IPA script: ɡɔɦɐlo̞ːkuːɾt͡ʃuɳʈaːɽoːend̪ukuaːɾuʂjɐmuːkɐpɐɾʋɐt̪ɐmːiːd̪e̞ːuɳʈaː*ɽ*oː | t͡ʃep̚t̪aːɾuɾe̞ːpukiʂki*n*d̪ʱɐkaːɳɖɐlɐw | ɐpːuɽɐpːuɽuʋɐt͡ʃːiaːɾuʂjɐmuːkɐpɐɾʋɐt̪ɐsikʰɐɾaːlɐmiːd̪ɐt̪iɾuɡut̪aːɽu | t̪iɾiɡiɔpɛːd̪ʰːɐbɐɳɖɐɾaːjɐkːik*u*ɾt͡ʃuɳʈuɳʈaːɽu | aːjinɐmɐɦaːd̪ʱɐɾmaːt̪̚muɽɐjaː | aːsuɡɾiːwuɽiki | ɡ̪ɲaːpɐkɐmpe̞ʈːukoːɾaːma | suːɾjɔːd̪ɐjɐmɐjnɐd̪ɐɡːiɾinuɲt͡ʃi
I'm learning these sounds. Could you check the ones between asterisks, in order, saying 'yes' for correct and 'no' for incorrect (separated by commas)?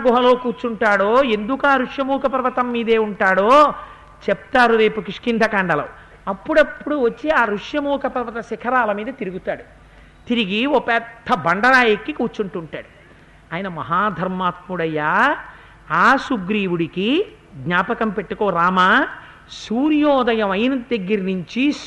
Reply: yes, yes, no